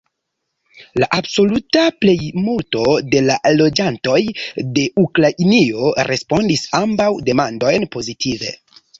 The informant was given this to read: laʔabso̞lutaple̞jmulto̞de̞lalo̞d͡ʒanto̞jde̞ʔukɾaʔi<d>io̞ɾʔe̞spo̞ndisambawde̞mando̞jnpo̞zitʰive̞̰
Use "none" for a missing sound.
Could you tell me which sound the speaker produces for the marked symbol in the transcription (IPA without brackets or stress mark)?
n